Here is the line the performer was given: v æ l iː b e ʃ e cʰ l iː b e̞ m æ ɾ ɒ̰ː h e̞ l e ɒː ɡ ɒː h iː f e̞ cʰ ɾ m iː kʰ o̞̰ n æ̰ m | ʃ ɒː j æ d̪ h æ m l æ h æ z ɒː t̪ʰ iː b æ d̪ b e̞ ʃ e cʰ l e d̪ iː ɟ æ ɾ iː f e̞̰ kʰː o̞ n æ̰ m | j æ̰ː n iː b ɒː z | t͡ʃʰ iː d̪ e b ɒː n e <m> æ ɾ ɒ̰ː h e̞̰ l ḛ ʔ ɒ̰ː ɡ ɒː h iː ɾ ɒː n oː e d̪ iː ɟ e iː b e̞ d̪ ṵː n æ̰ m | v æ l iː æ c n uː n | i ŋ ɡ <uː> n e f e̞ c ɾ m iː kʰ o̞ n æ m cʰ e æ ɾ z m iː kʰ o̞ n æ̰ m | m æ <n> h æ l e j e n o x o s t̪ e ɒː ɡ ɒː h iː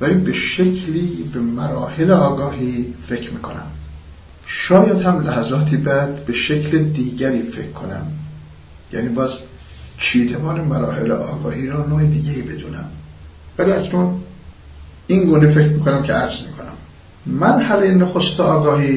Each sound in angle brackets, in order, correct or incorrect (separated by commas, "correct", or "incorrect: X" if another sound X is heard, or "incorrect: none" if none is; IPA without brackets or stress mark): correct, correct, correct